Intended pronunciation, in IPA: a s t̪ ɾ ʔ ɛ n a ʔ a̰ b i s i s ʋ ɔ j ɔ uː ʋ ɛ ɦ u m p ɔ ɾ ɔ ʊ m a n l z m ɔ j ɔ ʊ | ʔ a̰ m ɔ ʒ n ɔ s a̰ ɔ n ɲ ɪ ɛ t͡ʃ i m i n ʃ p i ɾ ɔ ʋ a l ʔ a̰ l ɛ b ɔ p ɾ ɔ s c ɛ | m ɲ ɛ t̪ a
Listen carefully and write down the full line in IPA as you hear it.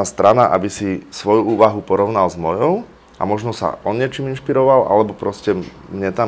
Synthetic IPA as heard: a s t̪ ɾ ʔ a n a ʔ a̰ b i s i s ʋ ɔ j u uː ʋ a ɦ u p ɔ ɾ ɔ ʊ n a l z m ɔ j ɔ ʊ | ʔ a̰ m ɔ ʒ n ɔ s a̰ ɔ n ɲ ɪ ɛ t͡ʃ i m i n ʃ p i ɾ ɔ ʋ a l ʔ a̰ l ɛ b ɔ p ɾ ɔ s c ɛ | m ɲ ɛ t̪ a